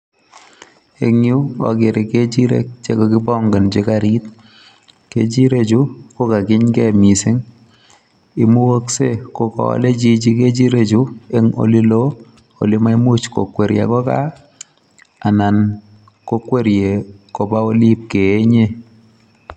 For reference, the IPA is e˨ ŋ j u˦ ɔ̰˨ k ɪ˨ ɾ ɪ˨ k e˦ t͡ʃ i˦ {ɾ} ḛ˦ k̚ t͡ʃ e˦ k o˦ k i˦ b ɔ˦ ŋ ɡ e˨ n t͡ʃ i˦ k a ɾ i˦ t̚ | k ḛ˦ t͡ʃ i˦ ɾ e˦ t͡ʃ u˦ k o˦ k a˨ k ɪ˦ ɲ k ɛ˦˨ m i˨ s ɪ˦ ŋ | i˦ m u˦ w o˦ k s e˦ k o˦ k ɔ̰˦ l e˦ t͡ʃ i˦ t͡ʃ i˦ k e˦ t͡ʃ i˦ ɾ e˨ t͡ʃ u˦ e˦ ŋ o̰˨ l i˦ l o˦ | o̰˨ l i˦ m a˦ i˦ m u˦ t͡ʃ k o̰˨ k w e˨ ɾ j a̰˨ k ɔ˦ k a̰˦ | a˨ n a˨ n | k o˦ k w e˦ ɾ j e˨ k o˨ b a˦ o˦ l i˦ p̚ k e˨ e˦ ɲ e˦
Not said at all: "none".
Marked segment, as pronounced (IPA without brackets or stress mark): ɾ